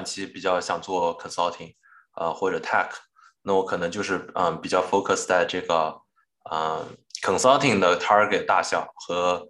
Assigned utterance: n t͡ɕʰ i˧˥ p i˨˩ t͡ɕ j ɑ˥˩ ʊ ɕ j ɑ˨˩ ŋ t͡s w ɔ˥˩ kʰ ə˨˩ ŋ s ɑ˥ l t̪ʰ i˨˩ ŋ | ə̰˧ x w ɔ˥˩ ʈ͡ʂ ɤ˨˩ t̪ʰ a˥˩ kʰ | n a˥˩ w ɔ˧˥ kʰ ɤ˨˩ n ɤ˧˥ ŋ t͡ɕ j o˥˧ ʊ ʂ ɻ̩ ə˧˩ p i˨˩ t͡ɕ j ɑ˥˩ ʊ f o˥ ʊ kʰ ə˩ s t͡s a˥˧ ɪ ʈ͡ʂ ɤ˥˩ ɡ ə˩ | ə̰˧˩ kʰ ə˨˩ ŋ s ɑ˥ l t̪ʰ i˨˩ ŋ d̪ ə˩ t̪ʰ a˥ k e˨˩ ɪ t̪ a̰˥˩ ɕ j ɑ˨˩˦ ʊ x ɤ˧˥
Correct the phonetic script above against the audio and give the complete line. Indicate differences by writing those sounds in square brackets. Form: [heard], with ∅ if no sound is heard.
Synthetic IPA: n t͡ɕʰ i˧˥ p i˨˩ t͡ɕ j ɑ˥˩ ʊ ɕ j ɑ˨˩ ŋ t͡s w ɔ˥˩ kʰ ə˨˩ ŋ s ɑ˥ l t̪ʰ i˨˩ ŋ | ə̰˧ x w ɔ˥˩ ʈ͡ʂ ɤ˨˩ t̪ʰ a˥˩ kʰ | n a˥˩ w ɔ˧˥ kʰ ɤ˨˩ n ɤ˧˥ ŋ t͡ɕ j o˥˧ ʊ ʂ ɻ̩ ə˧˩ p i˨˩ t͡ɕ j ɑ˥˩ ʊ f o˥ ʊ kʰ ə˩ s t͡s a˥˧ ɪ ʈ͡ʂ ɤ˥˩ ɡ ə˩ | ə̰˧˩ kʰ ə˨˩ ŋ s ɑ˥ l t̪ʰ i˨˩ ŋ d̪ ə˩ t̪ʰ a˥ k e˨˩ ɪ t̪ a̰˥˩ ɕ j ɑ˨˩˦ ʊ x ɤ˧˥